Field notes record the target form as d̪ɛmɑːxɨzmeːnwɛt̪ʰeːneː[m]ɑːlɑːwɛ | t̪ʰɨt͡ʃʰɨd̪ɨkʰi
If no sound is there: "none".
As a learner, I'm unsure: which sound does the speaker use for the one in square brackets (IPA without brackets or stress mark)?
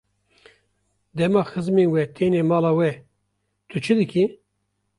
m